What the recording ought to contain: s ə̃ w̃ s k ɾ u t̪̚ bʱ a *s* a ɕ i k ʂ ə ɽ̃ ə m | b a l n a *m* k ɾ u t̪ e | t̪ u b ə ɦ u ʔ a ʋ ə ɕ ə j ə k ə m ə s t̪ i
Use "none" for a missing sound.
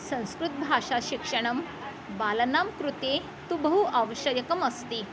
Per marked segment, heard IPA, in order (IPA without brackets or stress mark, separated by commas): ʂ, m